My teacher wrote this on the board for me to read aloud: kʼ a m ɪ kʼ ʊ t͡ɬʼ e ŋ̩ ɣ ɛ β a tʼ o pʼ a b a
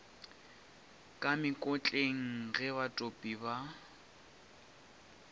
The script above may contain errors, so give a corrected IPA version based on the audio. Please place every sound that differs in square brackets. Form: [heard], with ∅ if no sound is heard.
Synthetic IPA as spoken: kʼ a m ɪ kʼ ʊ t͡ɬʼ e ŋ̩ ɣ ɛ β a tʼ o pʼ [i] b a